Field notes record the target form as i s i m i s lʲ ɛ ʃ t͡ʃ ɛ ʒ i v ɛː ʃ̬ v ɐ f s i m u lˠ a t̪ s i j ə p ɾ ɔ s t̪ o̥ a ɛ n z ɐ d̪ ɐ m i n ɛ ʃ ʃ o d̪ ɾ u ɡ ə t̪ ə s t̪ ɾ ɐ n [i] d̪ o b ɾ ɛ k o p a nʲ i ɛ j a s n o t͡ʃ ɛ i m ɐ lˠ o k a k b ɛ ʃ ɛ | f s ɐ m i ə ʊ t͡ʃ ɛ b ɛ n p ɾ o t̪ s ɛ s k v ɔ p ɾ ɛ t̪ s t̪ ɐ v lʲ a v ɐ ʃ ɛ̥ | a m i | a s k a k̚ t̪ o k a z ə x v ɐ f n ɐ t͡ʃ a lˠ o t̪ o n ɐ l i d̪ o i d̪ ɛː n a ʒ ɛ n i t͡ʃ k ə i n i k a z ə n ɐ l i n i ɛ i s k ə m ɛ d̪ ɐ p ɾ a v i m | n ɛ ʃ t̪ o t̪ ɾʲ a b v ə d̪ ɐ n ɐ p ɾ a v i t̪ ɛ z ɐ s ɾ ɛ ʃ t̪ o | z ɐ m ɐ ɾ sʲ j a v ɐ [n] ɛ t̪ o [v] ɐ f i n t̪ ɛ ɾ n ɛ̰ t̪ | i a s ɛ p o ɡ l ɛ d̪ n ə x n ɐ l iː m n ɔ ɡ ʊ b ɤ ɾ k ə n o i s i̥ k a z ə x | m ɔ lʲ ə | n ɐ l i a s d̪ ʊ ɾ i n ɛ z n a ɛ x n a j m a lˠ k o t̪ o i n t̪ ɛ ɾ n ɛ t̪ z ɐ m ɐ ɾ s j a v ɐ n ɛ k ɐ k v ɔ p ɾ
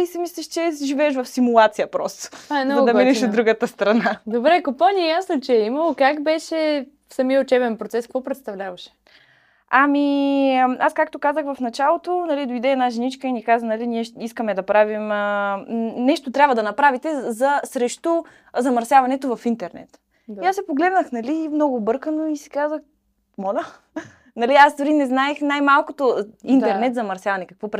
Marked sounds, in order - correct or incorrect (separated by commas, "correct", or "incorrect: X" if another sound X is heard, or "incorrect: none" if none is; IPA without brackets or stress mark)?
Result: incorrect: a, correct, correct